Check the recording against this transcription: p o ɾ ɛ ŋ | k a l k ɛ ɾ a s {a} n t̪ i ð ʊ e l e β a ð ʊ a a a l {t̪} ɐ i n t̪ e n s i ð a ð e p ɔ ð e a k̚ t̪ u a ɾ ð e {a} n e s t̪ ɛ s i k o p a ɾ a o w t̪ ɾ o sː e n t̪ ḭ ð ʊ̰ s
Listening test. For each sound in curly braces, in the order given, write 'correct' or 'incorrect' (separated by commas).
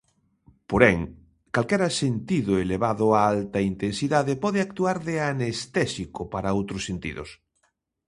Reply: incorrect, correct, correct